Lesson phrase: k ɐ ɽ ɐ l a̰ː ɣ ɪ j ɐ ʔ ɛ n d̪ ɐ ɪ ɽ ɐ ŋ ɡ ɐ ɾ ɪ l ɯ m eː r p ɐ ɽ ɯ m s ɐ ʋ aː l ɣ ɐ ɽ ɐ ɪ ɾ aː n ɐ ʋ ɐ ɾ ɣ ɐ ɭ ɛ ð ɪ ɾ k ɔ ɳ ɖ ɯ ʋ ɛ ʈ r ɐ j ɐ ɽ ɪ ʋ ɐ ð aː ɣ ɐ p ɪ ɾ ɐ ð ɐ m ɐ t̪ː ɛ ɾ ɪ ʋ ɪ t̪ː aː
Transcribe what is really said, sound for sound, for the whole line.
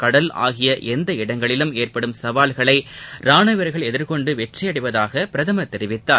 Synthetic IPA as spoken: k ɐ ɽ ɐ l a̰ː ɣ ɪ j ɐ ʔ ɛ n d̪ ɐ ɪ ɽ ɐ ŋ ɡ ɐ ɭ ɪ l ɯ m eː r p ɐ ɽ ɯ m s ɐ ʋ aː l ɣ ɐ ɭ ɐ ɪ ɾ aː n ɐ ʋ ɐ ɾ ɣ ɐ ɭ ɛ ð ɪ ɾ k ɔ ɳ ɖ ɯ ʋ ɛ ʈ r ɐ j ɐ ɽ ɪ ʋ ɐ ð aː ɣ ɐ p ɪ ɾ ɐ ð ɐ m ɐ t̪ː ɛ ɾ ɪ ʋ ɪ t̪ː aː